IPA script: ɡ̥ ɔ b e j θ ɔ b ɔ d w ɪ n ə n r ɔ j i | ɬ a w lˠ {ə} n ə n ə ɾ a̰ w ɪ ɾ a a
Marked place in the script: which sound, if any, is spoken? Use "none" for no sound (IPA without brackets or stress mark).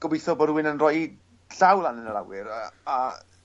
a